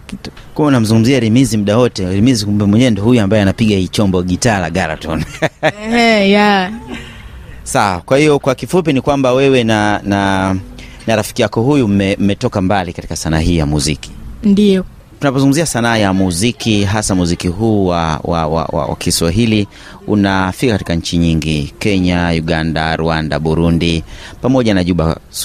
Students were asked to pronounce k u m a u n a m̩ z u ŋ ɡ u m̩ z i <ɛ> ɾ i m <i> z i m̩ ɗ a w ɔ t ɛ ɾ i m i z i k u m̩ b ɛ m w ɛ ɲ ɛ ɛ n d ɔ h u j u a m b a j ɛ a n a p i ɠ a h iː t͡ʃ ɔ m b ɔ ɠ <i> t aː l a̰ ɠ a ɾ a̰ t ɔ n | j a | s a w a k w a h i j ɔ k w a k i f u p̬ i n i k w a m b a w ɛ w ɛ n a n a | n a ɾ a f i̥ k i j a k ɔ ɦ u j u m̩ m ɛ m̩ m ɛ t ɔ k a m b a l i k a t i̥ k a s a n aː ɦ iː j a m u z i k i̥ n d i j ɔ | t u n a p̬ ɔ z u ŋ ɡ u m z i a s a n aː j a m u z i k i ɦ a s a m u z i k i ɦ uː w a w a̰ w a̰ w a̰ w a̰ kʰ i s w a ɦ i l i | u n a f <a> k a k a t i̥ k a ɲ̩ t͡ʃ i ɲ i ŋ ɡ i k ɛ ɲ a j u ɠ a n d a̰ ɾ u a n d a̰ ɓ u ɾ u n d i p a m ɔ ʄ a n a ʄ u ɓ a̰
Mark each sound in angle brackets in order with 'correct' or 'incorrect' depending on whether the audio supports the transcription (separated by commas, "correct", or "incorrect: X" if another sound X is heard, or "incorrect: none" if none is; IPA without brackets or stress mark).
incorrect: a, correct, correct, incorrect: i